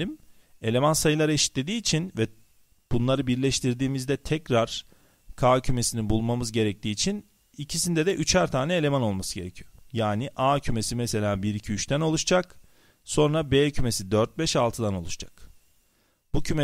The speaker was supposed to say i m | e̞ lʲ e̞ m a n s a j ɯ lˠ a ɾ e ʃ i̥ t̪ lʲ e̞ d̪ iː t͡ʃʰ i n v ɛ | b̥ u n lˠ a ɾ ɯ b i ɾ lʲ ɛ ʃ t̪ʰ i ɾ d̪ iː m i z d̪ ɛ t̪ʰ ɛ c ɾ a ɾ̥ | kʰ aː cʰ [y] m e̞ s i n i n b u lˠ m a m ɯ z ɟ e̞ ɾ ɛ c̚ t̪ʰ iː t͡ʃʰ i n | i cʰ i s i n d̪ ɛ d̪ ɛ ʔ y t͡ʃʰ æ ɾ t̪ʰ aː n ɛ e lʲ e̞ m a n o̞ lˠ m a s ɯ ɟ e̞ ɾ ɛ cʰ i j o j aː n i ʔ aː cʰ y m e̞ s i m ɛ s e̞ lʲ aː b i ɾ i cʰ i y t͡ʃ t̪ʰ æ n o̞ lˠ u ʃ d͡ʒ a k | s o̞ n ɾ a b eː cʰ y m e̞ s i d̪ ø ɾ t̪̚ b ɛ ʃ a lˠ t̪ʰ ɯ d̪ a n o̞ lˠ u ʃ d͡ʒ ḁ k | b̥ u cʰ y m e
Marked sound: correct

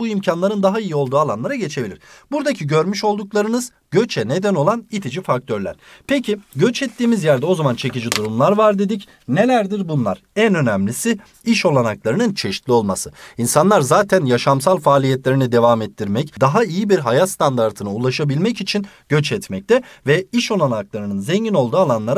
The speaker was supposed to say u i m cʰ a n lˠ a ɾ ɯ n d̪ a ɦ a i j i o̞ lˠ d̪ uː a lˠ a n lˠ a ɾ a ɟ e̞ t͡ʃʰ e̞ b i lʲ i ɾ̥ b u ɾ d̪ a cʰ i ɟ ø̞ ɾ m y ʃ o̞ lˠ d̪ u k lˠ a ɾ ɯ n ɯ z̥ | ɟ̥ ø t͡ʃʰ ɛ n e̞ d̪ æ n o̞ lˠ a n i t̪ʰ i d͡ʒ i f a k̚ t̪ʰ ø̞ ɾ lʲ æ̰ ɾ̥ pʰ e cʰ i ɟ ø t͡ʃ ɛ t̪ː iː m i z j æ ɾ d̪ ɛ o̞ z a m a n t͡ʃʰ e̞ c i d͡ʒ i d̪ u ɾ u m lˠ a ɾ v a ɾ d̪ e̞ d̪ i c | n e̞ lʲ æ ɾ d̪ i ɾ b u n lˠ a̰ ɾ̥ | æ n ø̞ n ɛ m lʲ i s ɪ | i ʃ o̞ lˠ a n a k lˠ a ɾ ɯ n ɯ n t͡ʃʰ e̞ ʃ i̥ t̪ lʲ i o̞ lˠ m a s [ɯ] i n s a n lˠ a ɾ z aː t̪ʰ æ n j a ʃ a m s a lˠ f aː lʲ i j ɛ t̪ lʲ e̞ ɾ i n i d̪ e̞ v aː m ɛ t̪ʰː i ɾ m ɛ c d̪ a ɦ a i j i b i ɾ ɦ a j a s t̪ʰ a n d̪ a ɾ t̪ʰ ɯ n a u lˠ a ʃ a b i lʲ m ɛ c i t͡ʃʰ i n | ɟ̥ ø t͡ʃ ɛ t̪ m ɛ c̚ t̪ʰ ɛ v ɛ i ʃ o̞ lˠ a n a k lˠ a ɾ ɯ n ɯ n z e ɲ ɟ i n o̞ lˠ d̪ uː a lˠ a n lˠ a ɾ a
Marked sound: correct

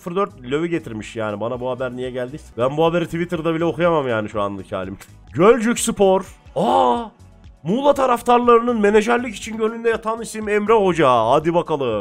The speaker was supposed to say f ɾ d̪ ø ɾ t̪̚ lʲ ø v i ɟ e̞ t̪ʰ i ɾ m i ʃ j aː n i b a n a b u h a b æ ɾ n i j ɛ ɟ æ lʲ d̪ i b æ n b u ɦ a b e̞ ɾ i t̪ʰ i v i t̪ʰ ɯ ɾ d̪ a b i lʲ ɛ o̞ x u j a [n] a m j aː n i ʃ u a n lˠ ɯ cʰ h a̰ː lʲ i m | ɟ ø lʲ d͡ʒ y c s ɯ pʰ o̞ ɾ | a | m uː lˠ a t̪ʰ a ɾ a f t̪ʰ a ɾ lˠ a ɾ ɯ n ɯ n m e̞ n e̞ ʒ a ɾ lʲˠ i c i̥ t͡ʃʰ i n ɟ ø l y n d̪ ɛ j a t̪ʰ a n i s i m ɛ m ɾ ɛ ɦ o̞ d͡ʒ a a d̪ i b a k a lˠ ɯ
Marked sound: incorrect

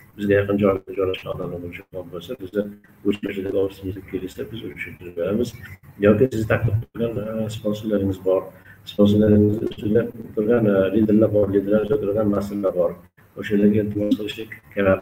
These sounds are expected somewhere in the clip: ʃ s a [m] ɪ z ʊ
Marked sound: incorrect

